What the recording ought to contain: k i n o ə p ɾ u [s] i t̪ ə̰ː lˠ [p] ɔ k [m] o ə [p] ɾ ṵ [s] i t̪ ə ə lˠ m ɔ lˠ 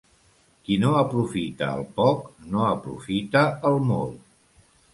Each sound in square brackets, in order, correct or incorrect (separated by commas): incorrect, correct, incorrect, correct, incorrect